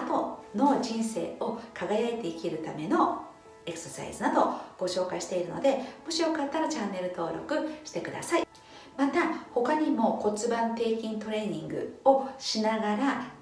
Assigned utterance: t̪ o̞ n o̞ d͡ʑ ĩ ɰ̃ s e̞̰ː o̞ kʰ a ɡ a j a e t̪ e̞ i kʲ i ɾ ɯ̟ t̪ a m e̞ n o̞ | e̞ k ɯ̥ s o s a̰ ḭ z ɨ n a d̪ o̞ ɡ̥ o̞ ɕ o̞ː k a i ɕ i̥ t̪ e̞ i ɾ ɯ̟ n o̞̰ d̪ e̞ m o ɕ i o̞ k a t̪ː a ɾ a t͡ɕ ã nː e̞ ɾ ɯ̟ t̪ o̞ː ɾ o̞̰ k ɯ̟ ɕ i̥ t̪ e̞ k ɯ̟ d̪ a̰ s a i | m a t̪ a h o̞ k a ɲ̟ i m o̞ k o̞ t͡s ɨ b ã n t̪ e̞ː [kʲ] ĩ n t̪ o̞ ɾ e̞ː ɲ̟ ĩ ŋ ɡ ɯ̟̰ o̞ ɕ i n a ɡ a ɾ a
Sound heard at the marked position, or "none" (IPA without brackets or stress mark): kʲ